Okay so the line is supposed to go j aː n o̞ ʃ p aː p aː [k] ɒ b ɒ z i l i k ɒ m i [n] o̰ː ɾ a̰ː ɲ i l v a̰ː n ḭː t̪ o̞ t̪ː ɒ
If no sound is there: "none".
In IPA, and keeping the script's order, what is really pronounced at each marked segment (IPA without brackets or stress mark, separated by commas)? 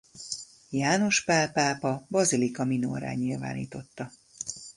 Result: p, n